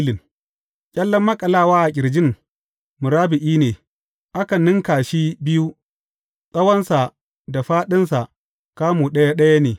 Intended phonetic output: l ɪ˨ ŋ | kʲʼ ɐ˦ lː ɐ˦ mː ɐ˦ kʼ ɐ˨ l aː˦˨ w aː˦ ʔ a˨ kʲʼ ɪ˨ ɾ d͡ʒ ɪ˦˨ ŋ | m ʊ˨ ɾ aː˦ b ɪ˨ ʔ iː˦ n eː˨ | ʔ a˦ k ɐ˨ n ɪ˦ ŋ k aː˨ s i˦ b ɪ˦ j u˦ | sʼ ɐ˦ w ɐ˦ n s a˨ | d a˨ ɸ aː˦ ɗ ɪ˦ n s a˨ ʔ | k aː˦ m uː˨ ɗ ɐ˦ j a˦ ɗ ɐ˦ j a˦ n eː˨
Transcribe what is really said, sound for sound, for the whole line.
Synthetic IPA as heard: l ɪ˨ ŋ | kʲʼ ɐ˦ lː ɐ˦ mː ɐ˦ kʼ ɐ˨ l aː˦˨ w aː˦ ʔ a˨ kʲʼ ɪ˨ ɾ d͡ʒ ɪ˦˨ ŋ | m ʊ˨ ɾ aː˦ b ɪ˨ ʔ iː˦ n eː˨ | ʔ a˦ k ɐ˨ n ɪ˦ ŋ k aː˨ ʃ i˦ b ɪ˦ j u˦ | sʼ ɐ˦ w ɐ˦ n s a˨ | d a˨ ɸ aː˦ ɗ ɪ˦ n s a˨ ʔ | k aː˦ m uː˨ ɗ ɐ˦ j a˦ ɗ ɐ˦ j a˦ n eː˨